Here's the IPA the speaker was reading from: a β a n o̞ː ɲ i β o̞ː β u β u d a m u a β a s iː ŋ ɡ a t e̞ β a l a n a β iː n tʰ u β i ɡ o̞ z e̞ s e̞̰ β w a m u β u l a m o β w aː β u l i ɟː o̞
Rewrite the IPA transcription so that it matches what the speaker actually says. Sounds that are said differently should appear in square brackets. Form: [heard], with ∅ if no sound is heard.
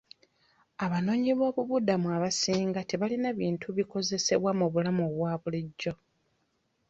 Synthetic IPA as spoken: a β a n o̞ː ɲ i β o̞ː β u β u d a m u a β a s iː ŋ ɡ a t e̞ β a l [i] n a β iː n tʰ u β i [k] o̞ z e̞ s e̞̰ β w a m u β u l a m o β w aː β u l i ɟː o̞